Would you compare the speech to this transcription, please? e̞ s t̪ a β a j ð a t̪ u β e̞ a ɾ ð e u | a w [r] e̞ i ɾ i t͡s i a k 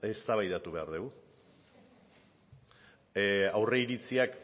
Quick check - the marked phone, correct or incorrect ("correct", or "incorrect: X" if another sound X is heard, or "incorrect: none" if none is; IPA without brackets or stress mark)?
correct